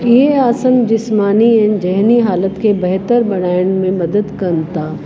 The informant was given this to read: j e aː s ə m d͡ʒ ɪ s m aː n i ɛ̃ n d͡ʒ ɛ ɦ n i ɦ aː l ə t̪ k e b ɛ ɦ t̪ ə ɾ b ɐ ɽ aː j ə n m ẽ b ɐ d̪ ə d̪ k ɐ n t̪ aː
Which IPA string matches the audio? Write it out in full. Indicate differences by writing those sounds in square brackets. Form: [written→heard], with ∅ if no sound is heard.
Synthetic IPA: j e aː s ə m d͡ʒ ɪ s m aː n i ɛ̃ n d͡ʒ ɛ ɦ n i ɦ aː l ə t̪ k e b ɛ ɦ t̪ ə ɾ b ɐ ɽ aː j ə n m ẽ [b→m] ɐ d̪ ə d̪ k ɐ n t̪ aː